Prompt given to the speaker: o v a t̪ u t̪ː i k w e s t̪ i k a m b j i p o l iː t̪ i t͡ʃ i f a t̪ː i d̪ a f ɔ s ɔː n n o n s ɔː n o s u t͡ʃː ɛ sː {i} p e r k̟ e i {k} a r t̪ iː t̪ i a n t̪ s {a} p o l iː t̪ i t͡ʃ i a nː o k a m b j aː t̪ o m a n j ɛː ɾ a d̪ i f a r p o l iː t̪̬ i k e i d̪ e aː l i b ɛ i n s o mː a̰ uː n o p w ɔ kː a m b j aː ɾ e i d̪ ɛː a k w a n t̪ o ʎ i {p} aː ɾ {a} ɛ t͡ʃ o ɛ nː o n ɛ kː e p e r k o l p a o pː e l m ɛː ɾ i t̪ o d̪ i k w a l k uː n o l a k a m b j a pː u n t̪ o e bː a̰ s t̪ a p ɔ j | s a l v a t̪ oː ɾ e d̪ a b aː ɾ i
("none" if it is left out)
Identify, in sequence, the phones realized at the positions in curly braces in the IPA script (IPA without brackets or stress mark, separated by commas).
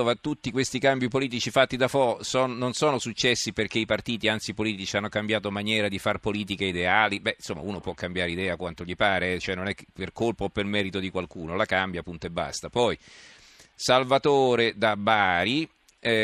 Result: i, p, i, p, e